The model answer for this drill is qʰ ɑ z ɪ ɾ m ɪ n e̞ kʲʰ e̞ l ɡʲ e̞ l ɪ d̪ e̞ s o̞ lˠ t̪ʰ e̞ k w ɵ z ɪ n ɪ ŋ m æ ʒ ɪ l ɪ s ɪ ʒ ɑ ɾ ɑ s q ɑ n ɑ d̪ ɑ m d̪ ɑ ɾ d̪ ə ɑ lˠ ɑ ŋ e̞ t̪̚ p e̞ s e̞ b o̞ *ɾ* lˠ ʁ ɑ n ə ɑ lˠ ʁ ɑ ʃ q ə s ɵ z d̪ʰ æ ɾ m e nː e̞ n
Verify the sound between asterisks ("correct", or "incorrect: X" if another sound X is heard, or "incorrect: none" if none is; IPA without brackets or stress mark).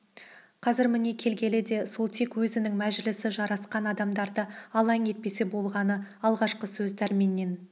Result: incorrect: none